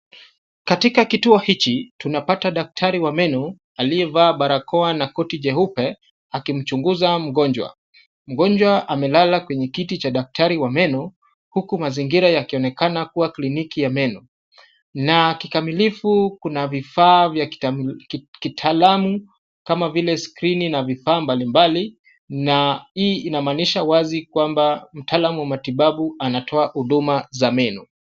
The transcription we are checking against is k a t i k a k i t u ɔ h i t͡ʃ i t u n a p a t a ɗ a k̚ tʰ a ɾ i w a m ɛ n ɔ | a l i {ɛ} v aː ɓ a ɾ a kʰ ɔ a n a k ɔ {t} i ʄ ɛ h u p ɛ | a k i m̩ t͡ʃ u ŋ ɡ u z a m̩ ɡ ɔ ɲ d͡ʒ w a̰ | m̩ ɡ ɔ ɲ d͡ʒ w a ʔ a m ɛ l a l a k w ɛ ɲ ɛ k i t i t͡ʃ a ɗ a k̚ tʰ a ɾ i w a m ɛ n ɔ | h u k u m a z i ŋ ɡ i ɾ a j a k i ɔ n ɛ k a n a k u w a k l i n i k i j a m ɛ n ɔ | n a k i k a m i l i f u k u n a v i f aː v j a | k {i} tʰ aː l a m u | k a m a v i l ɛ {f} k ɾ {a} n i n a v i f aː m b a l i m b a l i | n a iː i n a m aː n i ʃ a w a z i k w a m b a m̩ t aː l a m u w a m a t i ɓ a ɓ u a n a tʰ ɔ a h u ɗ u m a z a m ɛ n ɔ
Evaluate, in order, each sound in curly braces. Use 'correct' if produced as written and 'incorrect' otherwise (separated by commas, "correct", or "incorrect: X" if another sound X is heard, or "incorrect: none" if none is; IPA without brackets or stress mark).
correct, correct, correct, incorrect: s, incorrect: i